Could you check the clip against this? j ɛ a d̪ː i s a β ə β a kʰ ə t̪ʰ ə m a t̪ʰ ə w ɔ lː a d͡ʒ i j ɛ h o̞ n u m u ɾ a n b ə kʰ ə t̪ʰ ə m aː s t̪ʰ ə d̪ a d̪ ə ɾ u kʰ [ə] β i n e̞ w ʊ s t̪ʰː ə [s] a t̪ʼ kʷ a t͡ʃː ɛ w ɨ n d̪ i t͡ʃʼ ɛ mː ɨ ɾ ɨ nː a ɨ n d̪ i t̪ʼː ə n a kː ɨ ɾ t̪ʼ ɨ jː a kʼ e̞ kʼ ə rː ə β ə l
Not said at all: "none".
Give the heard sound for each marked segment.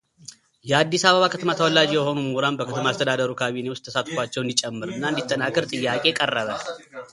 a, s

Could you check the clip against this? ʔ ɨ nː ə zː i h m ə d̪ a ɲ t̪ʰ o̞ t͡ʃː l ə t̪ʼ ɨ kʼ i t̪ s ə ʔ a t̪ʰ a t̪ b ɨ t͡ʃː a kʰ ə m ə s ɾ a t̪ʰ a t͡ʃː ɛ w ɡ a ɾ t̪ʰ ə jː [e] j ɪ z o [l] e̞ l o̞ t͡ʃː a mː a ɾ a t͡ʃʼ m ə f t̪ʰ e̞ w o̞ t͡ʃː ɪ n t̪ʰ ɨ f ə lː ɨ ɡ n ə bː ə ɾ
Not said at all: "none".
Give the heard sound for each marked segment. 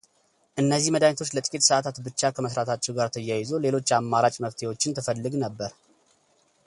a, l

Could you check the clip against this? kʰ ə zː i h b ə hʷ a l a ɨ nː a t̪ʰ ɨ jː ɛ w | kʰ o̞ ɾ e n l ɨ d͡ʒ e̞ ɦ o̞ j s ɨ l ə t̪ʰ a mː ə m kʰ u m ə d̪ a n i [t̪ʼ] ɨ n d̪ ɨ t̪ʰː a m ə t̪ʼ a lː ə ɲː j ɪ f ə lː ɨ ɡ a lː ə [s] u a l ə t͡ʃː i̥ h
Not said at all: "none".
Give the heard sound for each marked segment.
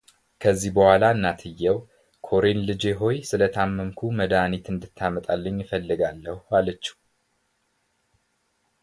t̪, h

